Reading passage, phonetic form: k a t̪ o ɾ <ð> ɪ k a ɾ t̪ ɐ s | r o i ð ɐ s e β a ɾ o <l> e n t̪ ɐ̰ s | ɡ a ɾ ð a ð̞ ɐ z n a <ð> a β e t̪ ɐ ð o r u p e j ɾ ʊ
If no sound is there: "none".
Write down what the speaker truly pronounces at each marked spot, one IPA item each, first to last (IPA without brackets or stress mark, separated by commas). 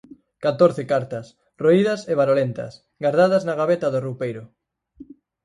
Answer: θ, l, ɣ